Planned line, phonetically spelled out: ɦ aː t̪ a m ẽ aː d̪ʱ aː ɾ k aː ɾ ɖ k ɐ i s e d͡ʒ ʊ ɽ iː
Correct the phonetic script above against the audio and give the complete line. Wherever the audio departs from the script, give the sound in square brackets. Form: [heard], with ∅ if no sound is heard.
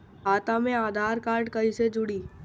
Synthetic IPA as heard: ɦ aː t̪ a m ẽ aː d̪ʱ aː ɾ k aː ɾ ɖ k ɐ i s e d͡ʒ ʊ ɽ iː